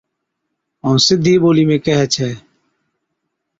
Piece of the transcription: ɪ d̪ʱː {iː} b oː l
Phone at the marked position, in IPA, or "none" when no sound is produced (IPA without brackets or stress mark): iː